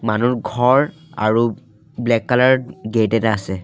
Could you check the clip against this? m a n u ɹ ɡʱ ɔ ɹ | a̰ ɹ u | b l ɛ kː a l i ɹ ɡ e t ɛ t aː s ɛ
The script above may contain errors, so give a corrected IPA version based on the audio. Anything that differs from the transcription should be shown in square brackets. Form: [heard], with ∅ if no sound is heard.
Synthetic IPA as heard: m a n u ɹ ɡʱ ɔ ɹ | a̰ ɹ u | b l ɛ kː a l [a] ɹ ɡ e t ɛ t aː s ɛ